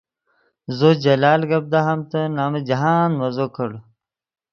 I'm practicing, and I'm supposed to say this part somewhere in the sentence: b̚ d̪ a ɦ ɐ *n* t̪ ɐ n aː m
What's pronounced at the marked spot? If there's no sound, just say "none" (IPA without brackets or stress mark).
m